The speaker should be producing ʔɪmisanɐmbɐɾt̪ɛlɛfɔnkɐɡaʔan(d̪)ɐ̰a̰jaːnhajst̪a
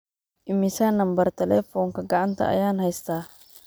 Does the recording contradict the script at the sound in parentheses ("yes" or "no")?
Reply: yes